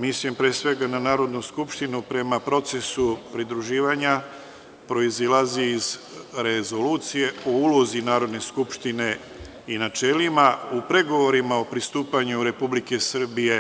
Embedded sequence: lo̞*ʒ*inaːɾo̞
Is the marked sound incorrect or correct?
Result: incorrect